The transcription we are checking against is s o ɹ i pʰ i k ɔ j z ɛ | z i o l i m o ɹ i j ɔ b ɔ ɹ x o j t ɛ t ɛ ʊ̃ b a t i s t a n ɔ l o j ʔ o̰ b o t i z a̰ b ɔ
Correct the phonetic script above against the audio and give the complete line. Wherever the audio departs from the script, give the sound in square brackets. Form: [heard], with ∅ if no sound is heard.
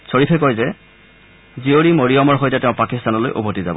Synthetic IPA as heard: s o ɹ i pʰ [ɛ] k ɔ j z ɛ | z i o [ɹ] i m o ɹ i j ɔ [m] ɔ ɹ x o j t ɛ t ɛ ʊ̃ [p] a [k] i s t a n ɔ l o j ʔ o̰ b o t i z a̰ b ɔ